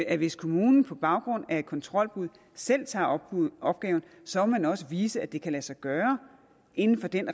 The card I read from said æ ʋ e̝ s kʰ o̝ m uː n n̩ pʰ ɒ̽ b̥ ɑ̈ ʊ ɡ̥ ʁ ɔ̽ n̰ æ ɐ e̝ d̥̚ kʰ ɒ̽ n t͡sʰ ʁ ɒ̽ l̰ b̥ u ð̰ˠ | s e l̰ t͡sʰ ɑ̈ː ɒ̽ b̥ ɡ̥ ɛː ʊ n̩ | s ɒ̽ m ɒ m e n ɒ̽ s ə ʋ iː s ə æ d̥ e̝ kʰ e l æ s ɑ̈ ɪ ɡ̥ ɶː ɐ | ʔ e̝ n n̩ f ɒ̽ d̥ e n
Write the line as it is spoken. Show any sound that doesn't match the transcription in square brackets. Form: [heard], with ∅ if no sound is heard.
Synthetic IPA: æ ʋ e̝ s kʰ o̝ m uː n n̩ pʰ ɒ̽ b̥ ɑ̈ ʊ ɡ̥ ʁ ɔ̽ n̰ æ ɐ e̝ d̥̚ kʰ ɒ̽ n t͡sʰ ʁ ɒ̽ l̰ b̥ u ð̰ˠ | s e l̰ t͡sʰ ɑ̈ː ɒ̽ b̥ ɡ̥ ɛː ʊ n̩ | s ɒ̽ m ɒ m [æ] n ɒ̽ s ə ʋ iː s ə æ d̥ e̝ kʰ [æ] l æ s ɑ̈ ɪ ɡ̥ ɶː ɐ | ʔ e̝ n n̩ f ɒ̽ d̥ e n